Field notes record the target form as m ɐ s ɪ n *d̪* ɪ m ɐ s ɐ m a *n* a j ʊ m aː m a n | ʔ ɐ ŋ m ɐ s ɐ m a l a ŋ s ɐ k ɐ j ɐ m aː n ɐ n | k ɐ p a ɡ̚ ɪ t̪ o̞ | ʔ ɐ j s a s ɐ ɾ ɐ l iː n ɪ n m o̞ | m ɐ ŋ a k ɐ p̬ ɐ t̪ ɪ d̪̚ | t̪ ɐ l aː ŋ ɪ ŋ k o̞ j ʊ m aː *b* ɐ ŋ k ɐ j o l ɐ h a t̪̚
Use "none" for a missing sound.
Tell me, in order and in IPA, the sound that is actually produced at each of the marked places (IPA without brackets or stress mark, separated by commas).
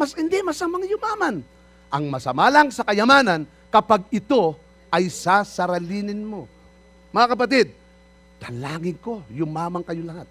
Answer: d̪, ŋ, m